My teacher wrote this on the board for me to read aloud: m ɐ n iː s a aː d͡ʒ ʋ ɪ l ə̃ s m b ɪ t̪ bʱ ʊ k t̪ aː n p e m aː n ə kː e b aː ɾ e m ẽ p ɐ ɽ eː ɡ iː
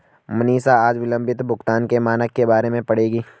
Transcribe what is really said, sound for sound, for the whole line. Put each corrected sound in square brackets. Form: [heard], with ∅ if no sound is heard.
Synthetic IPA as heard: m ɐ n iː s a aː d͡ʒ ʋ ɪ l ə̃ [∅] m b ɪ t̪ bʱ ʊ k t̪ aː n [k] e m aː n ə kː e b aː ɾ e m ẽ p ɐ ɽ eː ɡ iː